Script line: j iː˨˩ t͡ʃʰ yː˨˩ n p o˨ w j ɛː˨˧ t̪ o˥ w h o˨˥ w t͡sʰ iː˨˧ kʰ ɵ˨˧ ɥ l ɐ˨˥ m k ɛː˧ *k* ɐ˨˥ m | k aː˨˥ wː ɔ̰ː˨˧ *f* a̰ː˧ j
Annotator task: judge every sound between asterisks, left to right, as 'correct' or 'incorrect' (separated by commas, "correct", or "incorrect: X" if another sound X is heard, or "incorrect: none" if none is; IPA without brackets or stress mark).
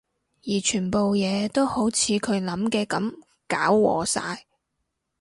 correct, incorrect: s